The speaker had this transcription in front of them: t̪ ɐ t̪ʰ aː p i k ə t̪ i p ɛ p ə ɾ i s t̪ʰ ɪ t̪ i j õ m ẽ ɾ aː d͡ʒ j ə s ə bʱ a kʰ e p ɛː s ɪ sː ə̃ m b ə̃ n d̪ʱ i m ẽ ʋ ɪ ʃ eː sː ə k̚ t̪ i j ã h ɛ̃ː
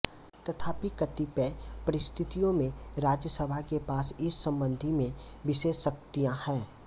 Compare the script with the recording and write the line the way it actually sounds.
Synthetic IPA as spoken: t̪ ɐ t̪ʰ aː p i k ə t̪ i p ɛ p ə ɾ ɪ s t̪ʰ ɪ t̪ i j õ m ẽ ɾ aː d͡ʒ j ə s ə bʱ a k e p aː s ɪ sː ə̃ m b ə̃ n d̪ʱ i m ẽ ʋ ɪ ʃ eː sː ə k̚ t̪ i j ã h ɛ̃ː